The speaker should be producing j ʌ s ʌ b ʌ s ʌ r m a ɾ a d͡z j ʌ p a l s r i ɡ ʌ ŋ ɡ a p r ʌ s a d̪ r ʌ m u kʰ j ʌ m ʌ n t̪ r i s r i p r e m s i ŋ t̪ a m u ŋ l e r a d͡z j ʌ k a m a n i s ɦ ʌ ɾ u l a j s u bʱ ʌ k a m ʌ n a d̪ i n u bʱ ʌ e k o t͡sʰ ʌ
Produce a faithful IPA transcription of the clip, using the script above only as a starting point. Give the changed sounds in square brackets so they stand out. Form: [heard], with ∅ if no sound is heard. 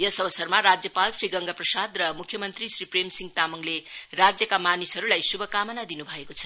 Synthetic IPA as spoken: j ʌ s ʌ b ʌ s ʌ r m a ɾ a d͡z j ʌ p a l s r i ɡ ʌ ŋ ɡ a p r ʌ s a d̪ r ʌ m u kʰ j ʌ m ʌ n t̪ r i s r i p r e m s i ŋ t̪ a m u ŋ l e r a d͡z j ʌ k a m a n i s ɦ ʌ ɾ u l a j s u bʱ ʌ k a m ʌ n a d̪ i n u bʱ ʌ e k o t͡sʰ ʌ